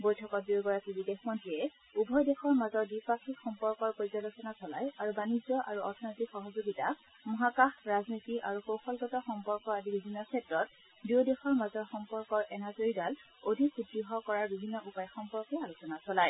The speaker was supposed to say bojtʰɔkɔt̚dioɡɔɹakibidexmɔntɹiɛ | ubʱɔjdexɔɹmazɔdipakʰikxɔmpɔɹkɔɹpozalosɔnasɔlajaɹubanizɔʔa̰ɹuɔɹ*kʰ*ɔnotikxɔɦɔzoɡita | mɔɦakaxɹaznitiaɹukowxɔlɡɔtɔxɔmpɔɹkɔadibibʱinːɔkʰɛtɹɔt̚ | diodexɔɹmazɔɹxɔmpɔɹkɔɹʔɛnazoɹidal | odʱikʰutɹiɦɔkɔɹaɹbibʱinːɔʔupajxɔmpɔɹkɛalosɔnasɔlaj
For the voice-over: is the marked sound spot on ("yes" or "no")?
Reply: no